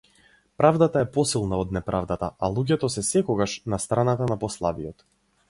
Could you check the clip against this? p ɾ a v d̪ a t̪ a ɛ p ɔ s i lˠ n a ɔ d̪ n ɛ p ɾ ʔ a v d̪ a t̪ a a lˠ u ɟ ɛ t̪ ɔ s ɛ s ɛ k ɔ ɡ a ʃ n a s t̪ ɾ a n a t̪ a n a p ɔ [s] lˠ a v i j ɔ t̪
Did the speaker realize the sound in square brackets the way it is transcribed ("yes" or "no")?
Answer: yes